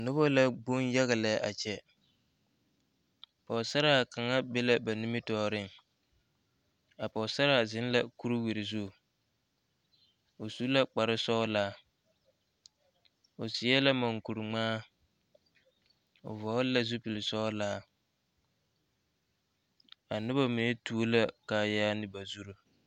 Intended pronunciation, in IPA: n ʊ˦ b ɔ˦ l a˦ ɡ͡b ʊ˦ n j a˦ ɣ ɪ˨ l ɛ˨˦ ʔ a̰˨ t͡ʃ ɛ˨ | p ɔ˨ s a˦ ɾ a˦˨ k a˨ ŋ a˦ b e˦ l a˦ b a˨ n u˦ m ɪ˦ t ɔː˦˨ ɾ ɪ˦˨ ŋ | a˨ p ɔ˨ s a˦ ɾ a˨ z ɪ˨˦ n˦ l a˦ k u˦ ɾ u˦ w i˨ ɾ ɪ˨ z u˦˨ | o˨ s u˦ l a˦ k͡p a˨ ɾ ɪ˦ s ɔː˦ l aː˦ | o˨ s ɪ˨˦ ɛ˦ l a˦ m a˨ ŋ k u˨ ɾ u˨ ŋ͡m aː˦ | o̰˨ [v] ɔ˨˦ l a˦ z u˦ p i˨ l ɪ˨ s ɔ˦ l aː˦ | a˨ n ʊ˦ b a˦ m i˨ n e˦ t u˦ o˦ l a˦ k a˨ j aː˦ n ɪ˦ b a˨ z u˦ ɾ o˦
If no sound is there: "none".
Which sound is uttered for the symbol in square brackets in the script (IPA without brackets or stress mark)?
v